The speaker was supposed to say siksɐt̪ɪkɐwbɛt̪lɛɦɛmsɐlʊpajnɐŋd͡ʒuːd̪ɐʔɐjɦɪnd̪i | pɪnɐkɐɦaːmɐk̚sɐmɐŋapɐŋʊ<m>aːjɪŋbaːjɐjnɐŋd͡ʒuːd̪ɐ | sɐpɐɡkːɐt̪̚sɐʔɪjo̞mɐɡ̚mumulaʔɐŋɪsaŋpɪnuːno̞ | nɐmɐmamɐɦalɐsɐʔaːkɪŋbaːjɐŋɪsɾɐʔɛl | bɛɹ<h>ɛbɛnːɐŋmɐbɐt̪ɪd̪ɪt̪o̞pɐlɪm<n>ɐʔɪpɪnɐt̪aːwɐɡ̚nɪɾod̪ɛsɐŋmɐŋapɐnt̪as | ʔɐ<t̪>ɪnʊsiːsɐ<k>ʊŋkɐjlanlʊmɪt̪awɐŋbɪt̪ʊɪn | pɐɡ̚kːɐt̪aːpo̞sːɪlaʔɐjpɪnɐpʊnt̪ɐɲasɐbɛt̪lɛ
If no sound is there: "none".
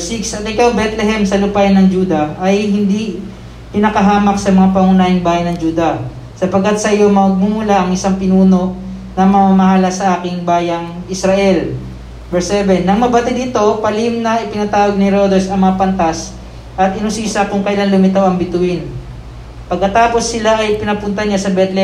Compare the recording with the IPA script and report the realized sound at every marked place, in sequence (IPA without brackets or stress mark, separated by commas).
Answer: n, s, n, t̪, k